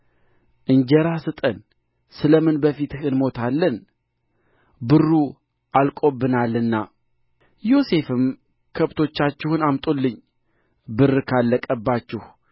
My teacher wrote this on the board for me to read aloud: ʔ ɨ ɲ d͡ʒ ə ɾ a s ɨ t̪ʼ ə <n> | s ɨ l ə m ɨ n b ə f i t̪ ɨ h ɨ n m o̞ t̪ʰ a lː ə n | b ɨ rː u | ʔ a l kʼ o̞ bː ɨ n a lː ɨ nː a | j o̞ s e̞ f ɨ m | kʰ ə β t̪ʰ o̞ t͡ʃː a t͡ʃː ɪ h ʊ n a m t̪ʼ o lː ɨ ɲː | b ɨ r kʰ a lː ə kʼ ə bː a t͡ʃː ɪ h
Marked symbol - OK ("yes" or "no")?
yes